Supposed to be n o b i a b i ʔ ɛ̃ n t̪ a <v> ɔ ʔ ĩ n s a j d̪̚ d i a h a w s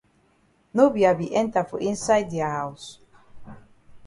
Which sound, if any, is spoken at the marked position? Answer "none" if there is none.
f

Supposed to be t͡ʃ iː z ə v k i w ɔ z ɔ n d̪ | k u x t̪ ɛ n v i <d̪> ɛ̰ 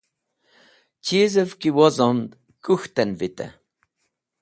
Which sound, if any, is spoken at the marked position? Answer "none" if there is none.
t̪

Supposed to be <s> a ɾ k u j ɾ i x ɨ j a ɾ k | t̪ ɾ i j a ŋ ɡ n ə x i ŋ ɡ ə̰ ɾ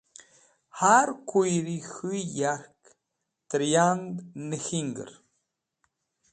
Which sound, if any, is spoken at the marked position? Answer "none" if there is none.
h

